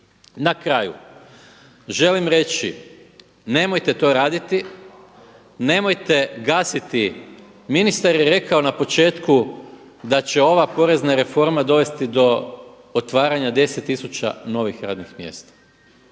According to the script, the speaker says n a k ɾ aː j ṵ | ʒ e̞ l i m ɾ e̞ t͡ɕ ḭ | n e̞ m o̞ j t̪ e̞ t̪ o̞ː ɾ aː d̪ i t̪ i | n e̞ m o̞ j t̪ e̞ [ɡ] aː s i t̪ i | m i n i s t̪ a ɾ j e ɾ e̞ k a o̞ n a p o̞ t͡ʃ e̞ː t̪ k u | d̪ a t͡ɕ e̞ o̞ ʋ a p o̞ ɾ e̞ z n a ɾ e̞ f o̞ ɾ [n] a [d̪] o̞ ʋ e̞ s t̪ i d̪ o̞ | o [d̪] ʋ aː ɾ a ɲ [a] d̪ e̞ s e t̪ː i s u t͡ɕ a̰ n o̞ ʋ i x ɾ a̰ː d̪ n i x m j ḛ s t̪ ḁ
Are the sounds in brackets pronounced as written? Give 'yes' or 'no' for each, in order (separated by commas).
yes, no, yes, no, yes